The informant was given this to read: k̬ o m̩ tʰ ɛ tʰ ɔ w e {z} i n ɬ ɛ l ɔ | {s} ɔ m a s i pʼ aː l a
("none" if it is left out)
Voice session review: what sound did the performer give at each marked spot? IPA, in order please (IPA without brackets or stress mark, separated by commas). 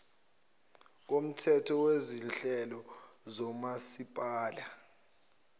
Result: z, z